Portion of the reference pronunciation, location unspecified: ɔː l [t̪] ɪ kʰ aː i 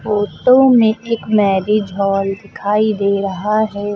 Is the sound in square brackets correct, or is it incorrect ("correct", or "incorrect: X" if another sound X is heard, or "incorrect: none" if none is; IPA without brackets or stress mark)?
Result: incorrect: d̪